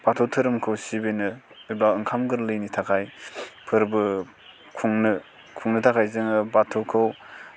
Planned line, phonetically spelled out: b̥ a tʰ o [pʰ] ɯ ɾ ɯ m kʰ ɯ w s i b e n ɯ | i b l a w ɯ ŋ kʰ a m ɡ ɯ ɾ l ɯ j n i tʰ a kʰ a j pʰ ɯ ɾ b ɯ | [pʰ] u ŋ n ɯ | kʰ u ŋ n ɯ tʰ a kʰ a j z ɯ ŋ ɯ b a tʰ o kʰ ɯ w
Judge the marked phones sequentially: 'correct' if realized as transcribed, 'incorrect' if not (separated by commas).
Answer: incorrect, incorrect